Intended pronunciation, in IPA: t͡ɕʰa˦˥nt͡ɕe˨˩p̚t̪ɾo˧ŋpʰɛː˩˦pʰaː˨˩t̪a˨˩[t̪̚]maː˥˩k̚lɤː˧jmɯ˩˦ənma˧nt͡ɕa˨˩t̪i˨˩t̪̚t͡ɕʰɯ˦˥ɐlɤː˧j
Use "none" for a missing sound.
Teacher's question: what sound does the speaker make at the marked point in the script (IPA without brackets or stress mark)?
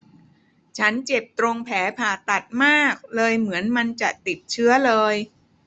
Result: t̪̚